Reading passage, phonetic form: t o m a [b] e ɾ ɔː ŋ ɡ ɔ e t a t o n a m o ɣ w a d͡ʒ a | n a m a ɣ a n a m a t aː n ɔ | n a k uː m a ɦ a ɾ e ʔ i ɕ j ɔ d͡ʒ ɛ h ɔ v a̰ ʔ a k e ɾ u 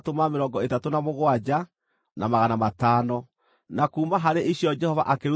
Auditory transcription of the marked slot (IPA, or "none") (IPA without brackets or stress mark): m